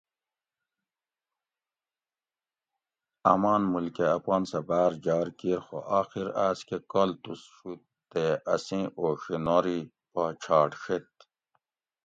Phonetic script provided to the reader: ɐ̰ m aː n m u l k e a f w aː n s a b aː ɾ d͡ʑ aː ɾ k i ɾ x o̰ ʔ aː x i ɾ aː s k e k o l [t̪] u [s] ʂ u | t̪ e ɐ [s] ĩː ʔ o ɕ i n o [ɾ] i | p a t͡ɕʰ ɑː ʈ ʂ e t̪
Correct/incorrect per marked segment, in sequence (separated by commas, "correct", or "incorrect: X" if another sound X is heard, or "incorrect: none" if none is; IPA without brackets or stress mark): correct, correct, correct, correct